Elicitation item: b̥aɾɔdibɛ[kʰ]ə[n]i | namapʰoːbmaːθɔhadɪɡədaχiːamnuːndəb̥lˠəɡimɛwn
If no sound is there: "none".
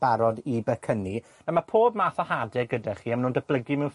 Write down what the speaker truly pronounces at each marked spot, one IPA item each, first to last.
kʰ, n

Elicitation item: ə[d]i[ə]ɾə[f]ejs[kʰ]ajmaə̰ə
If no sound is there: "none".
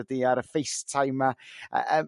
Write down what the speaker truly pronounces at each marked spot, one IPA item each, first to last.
d, a, f, tʰ

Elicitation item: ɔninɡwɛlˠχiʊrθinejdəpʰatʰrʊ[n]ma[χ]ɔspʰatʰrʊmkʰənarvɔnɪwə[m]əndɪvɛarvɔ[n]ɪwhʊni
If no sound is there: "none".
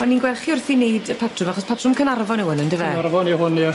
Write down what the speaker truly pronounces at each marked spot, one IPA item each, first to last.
none, χ, n, n

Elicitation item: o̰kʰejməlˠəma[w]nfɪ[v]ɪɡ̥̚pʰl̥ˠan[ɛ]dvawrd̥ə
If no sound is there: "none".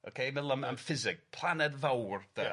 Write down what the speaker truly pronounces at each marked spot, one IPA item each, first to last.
none, z, ɛ

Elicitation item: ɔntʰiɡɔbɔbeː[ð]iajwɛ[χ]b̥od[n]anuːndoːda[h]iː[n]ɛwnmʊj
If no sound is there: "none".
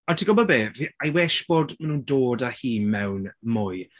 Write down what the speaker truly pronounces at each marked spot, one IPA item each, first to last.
v, ʃ, m, h, m

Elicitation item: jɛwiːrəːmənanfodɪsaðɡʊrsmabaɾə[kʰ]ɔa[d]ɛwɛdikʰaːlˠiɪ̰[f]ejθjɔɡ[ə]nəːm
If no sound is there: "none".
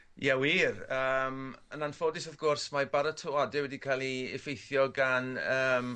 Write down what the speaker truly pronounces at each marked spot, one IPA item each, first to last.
tʰ, d, f, a

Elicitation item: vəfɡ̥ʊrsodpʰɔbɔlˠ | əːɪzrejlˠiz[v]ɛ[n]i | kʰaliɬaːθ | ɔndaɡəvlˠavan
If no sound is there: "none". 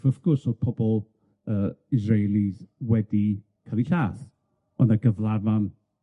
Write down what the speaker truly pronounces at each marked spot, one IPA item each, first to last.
w, d

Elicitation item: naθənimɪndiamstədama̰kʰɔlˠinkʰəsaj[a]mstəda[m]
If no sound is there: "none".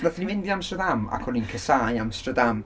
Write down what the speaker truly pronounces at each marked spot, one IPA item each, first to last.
a, m

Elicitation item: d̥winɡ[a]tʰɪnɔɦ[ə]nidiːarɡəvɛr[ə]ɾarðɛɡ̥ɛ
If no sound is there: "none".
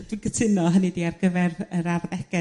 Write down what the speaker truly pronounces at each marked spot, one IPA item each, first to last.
ə, ə, ə

